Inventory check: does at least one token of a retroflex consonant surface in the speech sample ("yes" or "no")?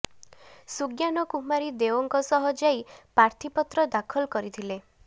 no